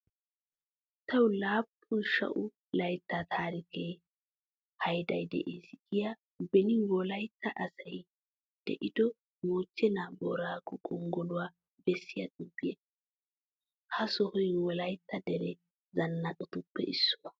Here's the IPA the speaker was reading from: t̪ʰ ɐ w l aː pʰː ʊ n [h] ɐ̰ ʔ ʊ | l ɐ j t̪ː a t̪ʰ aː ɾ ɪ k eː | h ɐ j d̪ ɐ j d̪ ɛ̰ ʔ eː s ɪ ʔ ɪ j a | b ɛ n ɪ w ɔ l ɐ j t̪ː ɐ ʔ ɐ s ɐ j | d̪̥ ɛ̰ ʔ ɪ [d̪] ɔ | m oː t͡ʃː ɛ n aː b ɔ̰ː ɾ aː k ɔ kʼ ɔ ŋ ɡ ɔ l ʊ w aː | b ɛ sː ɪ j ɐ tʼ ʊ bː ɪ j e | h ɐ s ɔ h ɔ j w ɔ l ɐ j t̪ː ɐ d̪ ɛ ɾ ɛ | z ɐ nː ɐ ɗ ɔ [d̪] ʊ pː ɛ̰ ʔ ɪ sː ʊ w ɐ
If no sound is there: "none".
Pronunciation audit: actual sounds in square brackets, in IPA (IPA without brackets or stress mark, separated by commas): ʃ, d̪, t̪